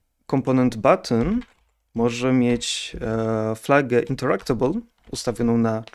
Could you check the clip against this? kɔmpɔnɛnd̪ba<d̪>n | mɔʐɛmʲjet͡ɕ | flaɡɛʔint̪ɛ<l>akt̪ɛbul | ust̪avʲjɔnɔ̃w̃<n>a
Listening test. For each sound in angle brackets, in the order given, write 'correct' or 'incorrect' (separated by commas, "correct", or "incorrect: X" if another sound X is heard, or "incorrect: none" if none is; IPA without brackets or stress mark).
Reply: incorrect: t̪, incorrect: ɾ, correct